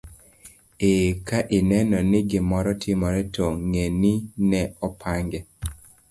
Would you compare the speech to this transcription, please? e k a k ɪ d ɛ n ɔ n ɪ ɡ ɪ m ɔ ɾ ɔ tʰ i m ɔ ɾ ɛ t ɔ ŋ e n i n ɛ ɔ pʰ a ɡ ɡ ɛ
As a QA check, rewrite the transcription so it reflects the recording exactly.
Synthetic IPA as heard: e k a ʔ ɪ n ɛ n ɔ n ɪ ɡ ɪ m ɔ ɾ ɔ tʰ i m ɔ ɾ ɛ t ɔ ŋ e n i n ɛ ɔ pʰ a ŋ ɡ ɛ